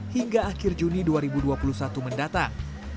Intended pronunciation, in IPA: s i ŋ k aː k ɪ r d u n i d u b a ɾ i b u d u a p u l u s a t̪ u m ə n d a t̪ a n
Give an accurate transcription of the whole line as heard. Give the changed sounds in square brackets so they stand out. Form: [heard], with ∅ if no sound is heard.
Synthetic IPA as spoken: [h] i ŋ [ɡ] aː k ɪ r [d͡ʒ] u n i d u [∅] a ɾ i b u d u a p u l u s a t̪ u m ə n d a t̪ a [ŋ]